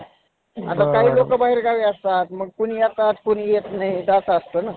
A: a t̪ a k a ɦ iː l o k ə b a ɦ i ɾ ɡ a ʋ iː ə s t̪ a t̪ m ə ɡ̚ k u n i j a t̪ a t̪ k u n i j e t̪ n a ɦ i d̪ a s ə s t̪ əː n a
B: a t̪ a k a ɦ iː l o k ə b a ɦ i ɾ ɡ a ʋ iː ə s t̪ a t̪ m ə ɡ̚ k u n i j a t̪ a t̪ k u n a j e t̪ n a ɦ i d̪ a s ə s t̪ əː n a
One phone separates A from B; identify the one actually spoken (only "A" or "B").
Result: A